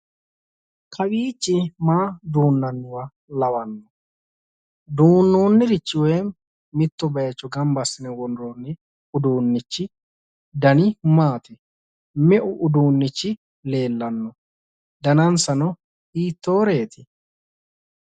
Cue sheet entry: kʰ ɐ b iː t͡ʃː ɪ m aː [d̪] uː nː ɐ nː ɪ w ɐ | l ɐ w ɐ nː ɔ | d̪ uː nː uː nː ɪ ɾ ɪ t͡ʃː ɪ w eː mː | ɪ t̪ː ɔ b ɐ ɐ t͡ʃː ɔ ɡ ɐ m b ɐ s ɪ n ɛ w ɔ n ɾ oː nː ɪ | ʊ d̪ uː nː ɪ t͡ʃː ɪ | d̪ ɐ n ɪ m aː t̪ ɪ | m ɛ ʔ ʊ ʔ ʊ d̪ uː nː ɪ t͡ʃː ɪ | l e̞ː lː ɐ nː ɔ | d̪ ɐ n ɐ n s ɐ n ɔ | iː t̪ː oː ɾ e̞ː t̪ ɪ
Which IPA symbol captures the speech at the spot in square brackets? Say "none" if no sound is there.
d̪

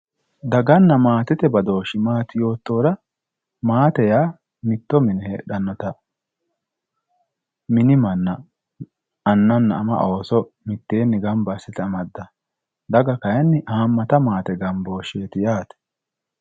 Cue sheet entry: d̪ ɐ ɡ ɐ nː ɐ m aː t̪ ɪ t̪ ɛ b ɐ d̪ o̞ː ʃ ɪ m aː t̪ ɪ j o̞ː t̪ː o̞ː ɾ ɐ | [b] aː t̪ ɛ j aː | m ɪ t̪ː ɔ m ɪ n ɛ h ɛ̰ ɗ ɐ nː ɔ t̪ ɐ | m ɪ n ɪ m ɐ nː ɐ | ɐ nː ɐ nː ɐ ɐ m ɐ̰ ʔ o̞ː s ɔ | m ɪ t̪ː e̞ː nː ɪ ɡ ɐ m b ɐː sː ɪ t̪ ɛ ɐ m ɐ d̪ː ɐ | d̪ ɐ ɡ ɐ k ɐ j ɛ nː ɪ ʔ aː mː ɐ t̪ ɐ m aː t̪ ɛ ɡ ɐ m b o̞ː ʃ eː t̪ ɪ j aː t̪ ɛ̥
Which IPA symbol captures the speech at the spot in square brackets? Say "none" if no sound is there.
m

